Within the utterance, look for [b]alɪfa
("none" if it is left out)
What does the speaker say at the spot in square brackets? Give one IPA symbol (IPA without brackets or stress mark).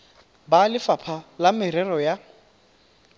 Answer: b